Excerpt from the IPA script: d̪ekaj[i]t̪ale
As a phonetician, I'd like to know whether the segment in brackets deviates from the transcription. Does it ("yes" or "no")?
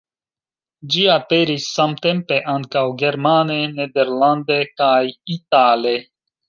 no